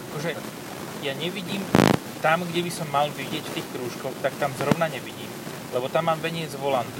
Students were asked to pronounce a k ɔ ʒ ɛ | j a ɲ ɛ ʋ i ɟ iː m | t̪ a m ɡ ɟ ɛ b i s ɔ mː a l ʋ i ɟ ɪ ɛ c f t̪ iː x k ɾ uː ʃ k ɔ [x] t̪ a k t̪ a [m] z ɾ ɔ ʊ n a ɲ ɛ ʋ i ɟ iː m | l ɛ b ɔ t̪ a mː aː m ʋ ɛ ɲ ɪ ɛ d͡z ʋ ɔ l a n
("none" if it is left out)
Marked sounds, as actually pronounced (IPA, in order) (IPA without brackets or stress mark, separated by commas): x, m